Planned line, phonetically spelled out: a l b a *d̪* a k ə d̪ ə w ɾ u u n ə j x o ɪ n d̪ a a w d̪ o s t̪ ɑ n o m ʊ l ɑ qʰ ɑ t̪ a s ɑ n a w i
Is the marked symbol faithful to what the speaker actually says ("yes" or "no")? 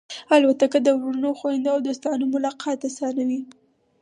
no